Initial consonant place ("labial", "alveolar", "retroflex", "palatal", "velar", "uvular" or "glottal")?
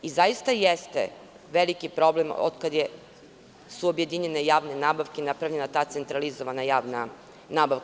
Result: alveolar